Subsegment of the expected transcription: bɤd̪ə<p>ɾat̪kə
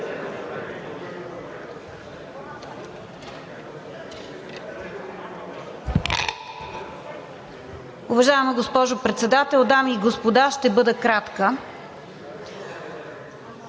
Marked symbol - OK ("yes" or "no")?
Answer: no